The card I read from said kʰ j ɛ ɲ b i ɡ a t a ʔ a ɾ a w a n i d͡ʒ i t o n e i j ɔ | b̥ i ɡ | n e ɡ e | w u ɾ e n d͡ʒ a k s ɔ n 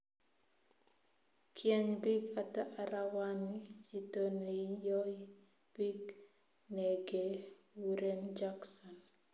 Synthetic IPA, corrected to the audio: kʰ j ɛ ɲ b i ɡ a t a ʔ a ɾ a w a n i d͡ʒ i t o n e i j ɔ | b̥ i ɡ | n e ɡ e | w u ɾ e n d͡ʒ a k s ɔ n

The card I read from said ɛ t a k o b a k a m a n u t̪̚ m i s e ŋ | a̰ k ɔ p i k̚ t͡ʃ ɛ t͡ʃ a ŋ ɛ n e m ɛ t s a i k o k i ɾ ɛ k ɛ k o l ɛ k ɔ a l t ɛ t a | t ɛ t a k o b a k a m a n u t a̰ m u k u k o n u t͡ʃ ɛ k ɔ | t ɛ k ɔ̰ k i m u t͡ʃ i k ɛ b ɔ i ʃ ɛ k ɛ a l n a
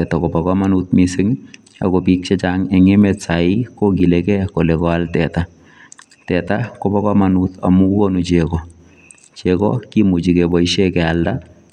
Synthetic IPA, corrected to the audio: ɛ t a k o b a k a m a n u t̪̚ m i s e ŋ | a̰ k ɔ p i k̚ t͡ʃ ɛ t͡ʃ a ŋ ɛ ŋ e m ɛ t s a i k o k i l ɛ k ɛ k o l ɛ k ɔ a l t ɛ t a | t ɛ t a k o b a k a m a n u t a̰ m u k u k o n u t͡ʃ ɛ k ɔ | t͡ʃ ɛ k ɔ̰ k i m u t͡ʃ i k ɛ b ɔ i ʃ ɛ k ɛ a l d a

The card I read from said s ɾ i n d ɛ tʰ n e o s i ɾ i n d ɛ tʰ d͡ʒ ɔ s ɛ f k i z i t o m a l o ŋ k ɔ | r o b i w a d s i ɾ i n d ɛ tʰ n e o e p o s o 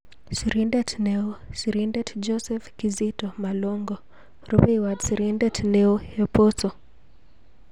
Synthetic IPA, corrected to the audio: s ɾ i n d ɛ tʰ n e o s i ɾ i n d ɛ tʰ d͡ʒ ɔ s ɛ f k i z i t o m a l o ŋ ɡ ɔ | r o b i w a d s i ɾ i n d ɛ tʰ n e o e p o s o

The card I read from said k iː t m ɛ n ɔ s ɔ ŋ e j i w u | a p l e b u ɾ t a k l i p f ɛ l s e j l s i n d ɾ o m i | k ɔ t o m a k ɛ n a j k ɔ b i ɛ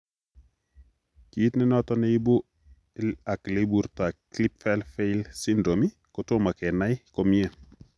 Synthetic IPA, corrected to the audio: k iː t n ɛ n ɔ t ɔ n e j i b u | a k l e b u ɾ t a k l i p f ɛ l f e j l s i n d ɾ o m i | k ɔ t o m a k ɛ n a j k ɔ m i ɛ

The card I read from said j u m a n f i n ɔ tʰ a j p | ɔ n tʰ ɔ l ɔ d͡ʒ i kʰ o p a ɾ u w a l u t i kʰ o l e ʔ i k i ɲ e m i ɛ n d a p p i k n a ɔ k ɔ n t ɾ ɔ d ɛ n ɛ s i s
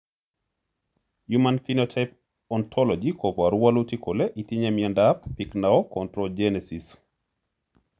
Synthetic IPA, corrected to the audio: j u m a n f i n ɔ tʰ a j p | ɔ n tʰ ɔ l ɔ d͡ʒ i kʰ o p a ɾ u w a l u t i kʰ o l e ʔ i t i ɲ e m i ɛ n d a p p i k n a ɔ k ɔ n t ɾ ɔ d͡ʒ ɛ n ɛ s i s

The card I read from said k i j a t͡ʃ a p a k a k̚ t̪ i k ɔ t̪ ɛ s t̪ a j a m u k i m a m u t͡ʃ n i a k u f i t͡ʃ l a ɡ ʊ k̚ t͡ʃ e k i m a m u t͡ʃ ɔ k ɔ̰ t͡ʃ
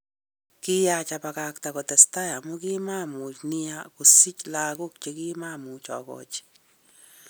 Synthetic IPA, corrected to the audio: k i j a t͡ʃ a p a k a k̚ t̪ a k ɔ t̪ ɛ s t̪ a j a m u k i m a m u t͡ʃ n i a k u s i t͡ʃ l a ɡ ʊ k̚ t͡ʃ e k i m a m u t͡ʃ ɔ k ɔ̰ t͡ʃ

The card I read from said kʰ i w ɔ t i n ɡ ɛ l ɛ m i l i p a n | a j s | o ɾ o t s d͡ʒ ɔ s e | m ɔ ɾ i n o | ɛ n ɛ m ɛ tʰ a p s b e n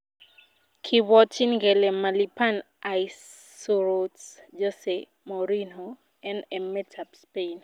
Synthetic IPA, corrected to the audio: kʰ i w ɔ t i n ɡ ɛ l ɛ m a l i p a n | a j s | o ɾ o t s d͡ʒ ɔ s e | m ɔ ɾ i n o | ɛ n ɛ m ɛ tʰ a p s p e n

